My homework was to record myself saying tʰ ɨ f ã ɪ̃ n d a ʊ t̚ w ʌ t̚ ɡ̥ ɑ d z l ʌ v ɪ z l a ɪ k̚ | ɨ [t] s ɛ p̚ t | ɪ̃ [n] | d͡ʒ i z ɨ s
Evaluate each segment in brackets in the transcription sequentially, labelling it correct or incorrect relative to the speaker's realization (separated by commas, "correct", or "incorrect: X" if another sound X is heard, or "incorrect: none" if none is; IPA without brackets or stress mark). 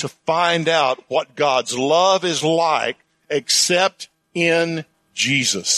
incorrect: k, correct